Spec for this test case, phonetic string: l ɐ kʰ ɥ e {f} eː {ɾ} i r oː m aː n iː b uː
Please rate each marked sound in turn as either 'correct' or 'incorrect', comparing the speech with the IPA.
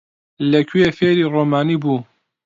correct, correct

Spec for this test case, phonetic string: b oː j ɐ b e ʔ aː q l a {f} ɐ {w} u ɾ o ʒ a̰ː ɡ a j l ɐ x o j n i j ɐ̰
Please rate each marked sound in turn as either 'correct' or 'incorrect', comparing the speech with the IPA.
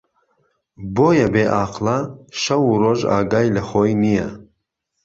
incorrect: ʃ, correct

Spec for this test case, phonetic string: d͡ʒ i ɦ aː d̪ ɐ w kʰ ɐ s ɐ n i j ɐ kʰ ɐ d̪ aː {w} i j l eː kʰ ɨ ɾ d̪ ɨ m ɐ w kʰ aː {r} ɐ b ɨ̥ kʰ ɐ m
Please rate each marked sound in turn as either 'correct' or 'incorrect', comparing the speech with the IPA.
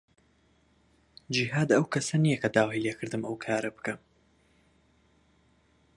correct, incorrect: ɾ

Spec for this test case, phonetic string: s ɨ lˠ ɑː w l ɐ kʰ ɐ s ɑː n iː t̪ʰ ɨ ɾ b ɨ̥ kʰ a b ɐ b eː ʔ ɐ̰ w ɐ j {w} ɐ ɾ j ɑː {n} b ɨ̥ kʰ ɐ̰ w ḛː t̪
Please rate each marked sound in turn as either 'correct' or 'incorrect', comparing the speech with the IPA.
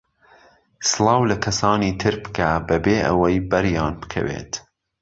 incorrect: b, correct

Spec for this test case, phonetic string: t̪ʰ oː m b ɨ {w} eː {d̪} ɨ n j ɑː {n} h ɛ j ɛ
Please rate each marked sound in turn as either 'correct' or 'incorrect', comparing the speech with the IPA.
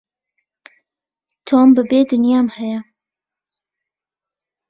incorrect: b, correct, incorrect: m

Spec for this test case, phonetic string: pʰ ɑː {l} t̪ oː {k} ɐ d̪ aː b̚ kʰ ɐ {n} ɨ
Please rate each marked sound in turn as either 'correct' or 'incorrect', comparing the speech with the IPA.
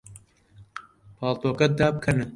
correct, correct, correct

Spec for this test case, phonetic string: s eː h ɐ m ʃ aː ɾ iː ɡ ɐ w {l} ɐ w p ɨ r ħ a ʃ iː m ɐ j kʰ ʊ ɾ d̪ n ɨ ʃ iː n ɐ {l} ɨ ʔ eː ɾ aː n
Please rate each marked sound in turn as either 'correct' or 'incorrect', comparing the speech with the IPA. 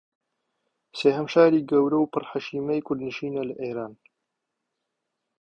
incorrect: ɾ, correct

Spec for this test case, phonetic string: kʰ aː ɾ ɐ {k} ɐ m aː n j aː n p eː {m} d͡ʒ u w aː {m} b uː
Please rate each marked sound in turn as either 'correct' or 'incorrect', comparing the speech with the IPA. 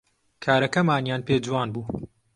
correct, incorrect: none, incorrect: n

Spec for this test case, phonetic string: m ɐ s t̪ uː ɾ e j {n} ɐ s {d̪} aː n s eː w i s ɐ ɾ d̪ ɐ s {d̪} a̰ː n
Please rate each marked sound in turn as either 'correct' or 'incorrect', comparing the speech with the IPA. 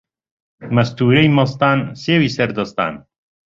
incorrect: m, incorrect: t̪, incorrect: t̪

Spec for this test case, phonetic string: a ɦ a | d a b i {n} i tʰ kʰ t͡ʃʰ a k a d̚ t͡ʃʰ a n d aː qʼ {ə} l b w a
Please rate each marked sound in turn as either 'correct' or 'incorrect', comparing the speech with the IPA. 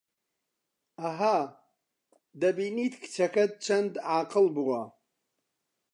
correct, correct

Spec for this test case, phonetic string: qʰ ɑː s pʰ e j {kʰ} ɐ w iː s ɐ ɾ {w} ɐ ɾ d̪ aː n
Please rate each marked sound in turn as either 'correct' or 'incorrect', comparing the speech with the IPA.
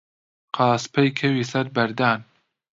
correct, incorrect: b

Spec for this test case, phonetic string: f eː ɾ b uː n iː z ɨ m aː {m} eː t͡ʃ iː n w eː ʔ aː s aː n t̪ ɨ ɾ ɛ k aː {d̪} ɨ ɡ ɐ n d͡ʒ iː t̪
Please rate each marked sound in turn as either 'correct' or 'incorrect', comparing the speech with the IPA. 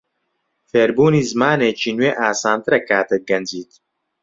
incorrect: n, incorrect: t̪

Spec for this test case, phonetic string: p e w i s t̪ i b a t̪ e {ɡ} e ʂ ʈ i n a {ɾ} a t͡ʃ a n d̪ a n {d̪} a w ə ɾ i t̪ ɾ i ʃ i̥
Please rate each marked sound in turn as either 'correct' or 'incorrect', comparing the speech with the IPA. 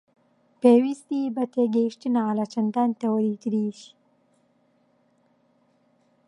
correct, incorrect: l, incorrect: t̪

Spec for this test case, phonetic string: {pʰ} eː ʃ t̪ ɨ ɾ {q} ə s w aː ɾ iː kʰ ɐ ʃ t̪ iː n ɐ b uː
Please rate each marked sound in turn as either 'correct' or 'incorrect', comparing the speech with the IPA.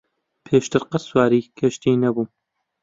correct, correct

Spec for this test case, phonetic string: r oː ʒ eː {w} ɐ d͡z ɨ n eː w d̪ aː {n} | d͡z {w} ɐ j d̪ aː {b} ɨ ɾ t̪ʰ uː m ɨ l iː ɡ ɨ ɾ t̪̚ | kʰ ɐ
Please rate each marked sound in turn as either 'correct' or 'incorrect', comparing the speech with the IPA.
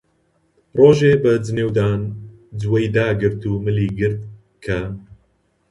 incorrect: b, correct, correct, incorrect: ɡ

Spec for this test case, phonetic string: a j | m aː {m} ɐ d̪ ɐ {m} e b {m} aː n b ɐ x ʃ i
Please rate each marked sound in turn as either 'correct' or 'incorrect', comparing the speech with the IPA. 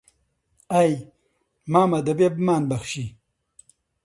correct, incorrect: b, correct

